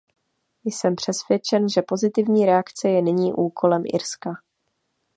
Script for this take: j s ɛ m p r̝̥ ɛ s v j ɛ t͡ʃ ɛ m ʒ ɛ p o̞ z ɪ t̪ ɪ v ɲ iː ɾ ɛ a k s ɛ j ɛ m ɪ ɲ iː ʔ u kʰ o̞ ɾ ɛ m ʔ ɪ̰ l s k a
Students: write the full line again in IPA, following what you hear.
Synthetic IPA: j s ɛ m p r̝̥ ɛ s v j ɛ t͡ʃ ɛ n ʒ ɛ p o̞ z ɪ t̪ ɪ v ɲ iː ɾ ɛ a k t͡s ɛ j ɛ n ɪ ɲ iː ʔ uː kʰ o̞ l ɛ m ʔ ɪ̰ ɾ s k a